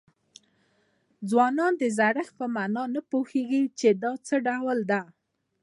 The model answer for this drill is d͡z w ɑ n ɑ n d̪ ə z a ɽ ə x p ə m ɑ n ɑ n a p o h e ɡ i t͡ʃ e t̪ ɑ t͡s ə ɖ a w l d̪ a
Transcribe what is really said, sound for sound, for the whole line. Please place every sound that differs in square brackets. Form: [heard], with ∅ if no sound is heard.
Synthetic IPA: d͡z w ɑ n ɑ n d̪ ə z a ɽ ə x p ə m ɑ n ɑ n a p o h e ɡ i t͡ʃ e [d̪] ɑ t͡s ə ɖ a w l d̪ a